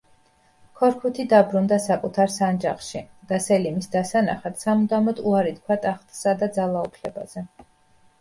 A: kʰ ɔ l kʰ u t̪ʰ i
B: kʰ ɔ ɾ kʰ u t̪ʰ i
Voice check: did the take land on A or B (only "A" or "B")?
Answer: B